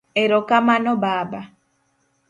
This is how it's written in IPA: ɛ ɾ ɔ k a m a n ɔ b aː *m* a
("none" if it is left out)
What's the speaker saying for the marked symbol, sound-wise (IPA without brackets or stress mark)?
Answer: b